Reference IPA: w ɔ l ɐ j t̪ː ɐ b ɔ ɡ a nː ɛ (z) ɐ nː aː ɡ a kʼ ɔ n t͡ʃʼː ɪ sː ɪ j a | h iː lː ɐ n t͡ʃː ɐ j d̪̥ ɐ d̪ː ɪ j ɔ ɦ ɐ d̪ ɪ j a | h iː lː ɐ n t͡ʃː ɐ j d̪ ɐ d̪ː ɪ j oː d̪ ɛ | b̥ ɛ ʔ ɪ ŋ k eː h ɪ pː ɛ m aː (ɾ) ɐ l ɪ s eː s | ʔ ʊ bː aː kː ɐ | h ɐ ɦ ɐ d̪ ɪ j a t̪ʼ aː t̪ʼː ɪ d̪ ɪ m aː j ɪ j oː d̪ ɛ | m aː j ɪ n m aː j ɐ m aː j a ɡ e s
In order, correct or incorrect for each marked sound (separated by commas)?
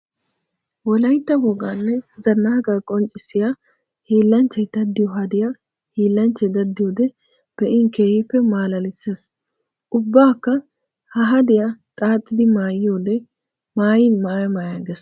correct, incorrect